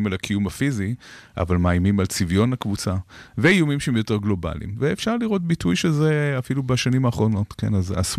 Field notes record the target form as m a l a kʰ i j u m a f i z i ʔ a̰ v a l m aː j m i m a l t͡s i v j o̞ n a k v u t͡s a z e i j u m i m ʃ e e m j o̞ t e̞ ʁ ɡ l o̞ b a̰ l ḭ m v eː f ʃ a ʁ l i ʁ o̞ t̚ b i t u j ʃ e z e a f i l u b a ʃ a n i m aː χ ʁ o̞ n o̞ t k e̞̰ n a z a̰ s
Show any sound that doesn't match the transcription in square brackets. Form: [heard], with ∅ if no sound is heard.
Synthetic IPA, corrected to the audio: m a l a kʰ i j u m a f i z i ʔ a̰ v a l m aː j m i m a l t͡s i v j o̞ n a k v u t͡s a [v] e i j u m i m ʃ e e m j o̞ t e̞ ʁ ɡ l o̞ b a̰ l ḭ m v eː f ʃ a ʁ l i ʁ o̞ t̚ b i t u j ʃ e z e a f i l u b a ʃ a n i m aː χ ʁ o̞ n o̞ t k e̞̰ n a z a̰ s